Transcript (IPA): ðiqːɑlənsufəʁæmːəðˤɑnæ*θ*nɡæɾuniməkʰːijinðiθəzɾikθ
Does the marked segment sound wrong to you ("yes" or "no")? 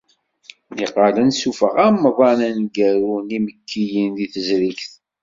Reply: yes